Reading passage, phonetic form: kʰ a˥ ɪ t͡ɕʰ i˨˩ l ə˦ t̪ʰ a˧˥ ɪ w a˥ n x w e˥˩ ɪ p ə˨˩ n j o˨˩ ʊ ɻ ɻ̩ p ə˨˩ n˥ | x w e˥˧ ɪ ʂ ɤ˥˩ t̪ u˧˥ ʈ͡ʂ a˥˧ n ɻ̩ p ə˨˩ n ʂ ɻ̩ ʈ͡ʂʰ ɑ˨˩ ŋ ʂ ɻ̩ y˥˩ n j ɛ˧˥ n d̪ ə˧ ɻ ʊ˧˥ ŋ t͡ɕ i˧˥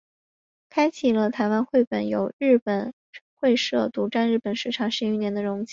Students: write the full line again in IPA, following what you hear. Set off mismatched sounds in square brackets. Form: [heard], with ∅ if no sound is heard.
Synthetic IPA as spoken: kʰ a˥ ɪ t͡ɕʰ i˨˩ l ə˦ t̪ʰ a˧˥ ɪ w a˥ n x w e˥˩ ɪ p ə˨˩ n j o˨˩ ʊ ɻ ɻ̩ p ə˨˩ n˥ | x w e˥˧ ɪ ʂ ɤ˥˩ t̪ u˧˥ ʈ͡ʂ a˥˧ n ɻ̩ p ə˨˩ n ʂ ɻ̩ ʈ͡ʂʰ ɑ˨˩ ŋ ʂ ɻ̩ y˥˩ n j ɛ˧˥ n d̪ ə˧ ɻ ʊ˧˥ ŋ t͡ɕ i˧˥